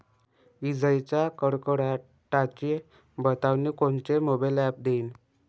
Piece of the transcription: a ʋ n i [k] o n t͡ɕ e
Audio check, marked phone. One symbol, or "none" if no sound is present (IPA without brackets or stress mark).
k